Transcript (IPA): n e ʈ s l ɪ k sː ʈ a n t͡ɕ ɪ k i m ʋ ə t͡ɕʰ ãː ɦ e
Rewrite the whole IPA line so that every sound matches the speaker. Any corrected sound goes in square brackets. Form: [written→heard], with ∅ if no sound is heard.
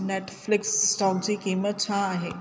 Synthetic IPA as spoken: n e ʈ [s→f] l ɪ k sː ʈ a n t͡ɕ [ɪ→i] k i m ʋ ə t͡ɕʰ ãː ɦ e